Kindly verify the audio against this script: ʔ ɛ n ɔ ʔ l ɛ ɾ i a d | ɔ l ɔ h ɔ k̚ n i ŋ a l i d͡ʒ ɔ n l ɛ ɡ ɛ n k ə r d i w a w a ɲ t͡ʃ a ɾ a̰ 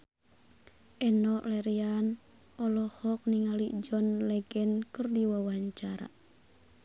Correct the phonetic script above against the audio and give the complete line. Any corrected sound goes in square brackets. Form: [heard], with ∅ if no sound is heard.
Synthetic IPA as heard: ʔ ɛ n ɔ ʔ l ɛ ɾ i a [n] | ɔ l ɔ h ɔ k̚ n i ŋ a l i d͡ʒ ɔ n l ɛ ɡ ɛ n k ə r d i w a w a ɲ t͡ʃ a ɾ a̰